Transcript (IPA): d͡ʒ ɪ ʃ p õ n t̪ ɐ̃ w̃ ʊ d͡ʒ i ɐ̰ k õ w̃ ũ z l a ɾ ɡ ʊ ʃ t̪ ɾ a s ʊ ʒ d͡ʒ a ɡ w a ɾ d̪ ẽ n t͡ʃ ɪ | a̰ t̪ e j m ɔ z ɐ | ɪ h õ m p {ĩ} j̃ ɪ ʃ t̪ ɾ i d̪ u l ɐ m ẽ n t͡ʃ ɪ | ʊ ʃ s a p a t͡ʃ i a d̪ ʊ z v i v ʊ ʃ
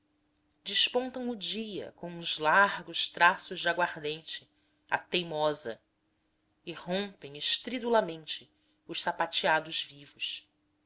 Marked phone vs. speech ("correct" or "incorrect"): incorrect